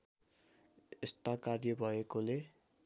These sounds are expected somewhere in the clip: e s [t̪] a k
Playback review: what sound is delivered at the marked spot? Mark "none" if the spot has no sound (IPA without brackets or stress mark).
t̪